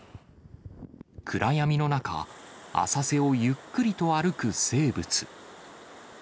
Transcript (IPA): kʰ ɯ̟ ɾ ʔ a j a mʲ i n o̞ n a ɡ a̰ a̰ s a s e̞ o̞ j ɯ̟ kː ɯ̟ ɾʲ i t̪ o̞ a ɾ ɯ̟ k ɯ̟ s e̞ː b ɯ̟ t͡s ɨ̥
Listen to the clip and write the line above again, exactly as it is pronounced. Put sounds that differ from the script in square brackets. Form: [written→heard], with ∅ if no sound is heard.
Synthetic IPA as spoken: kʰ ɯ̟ ɾ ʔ a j a mʲ i n o̞ n a [ɡ→k] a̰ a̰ s a s e̞ o̞ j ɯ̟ kː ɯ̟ ɾʲ i t̪ o̞ a ɾ ɯ̟ k ɯ̟ s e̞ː b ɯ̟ t͡s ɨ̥